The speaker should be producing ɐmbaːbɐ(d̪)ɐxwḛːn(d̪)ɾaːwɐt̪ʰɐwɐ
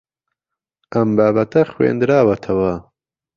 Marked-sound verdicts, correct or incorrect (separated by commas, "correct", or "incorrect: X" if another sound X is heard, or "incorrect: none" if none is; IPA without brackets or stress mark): incorrect: t̪, correct